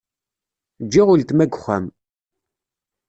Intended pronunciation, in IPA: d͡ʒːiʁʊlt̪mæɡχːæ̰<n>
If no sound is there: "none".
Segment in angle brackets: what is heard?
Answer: m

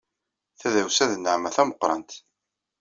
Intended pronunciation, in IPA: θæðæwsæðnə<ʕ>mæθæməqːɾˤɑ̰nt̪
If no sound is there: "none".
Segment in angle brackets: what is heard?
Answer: ʕ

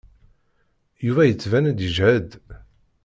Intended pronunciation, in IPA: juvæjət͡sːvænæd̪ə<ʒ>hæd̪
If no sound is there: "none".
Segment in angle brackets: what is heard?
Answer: ʒ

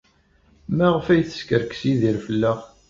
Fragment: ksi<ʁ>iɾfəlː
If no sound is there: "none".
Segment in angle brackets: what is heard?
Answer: ð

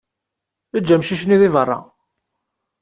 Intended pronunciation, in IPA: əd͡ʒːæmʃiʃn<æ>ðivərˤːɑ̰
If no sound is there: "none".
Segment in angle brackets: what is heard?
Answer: i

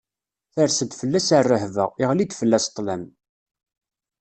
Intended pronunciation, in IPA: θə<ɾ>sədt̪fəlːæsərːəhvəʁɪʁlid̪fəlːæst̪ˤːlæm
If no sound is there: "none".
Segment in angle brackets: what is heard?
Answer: ɾ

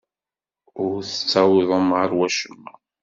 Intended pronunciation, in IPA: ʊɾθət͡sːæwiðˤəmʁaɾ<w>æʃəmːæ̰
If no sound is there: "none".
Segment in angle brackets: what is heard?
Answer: w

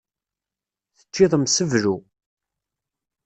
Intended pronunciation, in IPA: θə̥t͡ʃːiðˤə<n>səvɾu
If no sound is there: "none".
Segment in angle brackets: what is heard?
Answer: m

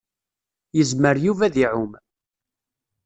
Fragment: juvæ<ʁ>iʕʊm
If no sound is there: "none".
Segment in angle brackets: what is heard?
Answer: ð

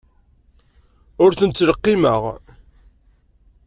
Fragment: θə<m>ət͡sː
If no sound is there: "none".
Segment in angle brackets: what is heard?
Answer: n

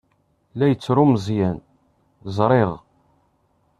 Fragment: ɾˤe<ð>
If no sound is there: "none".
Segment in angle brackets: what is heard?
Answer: ʁ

